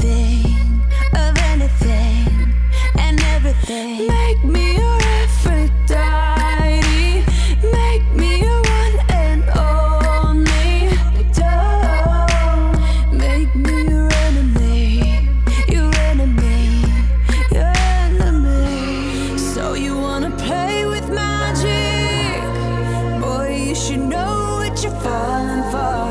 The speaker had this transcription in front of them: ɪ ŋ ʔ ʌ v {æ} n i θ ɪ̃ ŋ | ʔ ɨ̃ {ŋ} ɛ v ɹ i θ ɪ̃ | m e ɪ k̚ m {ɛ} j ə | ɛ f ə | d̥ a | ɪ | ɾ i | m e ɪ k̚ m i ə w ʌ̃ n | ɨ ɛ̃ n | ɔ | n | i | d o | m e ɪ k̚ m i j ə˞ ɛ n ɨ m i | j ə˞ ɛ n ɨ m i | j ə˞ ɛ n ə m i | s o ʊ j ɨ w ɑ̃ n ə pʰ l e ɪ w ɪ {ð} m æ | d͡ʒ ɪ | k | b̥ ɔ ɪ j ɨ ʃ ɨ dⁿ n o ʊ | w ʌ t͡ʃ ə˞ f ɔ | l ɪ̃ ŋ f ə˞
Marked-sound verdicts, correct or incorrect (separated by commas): incorrect, incorrect, incorrect, correct